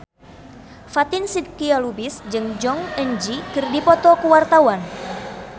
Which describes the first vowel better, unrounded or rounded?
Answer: unrounded